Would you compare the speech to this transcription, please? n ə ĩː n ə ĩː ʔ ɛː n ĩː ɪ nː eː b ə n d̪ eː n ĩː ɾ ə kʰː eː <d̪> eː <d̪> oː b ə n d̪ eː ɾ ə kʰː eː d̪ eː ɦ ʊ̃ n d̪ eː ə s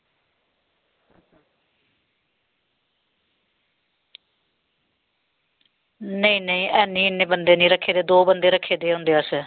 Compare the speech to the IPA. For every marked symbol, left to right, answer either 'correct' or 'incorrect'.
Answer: correct, correct

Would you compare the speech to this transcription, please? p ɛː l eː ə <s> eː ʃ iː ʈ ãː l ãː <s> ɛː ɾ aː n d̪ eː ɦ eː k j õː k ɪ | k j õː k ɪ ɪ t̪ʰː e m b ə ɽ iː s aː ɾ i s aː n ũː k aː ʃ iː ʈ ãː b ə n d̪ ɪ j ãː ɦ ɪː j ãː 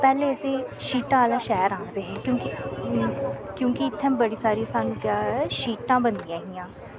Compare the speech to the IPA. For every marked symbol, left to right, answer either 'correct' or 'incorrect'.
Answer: correct, incorrect: ʃ

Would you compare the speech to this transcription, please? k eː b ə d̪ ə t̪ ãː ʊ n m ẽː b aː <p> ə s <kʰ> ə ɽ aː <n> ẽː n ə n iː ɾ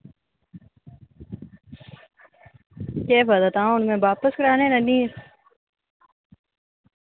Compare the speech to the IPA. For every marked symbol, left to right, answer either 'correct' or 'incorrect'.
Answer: correct, incorrect: k, correct

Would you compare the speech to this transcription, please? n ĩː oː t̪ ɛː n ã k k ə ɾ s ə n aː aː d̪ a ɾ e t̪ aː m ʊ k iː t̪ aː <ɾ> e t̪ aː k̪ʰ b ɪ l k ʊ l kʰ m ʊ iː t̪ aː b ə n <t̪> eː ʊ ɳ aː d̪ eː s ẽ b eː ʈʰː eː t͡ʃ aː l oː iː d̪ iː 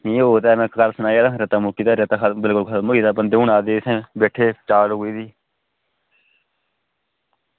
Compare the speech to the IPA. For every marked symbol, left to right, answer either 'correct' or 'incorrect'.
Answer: correct, incorrect: d̪

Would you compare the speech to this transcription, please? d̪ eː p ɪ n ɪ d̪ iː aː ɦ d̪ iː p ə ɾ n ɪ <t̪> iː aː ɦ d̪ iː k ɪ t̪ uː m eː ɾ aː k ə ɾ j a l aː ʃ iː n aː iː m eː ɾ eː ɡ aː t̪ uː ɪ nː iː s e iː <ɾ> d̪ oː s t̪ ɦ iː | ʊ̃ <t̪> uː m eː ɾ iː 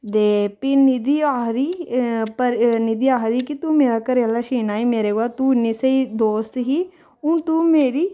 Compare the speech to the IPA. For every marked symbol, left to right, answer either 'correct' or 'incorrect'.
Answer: incorrect: d̪, incorrect: none, correct

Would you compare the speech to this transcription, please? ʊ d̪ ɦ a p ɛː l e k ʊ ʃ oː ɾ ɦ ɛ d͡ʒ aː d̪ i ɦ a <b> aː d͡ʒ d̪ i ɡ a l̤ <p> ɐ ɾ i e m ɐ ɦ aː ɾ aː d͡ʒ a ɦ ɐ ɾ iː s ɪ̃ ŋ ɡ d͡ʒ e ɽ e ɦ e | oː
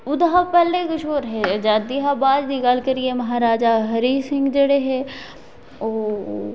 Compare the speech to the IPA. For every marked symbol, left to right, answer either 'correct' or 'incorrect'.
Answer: correct, incorrect: k

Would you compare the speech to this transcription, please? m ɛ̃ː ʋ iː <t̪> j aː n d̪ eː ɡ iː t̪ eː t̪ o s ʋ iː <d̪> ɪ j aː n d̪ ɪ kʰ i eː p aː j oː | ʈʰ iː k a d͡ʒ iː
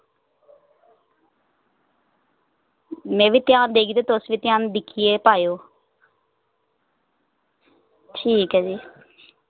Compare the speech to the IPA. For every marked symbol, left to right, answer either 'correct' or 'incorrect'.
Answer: correct, incorrect: t̪

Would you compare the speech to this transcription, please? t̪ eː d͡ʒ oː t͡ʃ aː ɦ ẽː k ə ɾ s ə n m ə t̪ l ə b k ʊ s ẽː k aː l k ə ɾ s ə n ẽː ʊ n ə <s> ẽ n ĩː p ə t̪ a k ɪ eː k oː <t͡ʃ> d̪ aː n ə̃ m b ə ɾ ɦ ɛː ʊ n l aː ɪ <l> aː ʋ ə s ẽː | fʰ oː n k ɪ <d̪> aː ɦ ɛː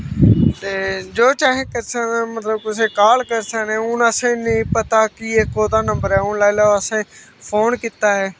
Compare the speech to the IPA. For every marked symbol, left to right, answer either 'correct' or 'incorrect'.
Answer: correct, incorrect: none, correct, incorrect: t̪

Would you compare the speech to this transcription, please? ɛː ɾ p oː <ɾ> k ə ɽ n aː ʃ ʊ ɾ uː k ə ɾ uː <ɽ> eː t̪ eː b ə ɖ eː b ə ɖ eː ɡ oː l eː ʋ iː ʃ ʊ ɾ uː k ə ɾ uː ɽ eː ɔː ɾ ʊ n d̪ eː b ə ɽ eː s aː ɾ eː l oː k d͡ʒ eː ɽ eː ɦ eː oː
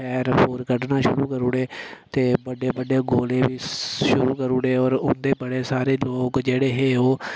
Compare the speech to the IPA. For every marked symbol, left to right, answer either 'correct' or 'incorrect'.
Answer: correct, correct

